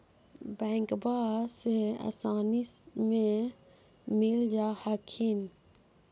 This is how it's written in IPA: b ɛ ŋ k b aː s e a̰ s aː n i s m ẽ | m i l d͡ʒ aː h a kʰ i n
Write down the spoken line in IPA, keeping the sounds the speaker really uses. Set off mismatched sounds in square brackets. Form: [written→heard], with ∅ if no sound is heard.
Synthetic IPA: b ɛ ŋ k b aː s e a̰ s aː n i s m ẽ | m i l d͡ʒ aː h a kʰ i n